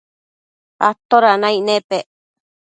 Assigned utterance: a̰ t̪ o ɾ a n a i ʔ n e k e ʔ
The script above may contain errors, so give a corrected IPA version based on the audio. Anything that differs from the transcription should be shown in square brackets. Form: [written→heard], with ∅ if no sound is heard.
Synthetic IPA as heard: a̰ t̪ o ɾ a n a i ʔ n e [k→p] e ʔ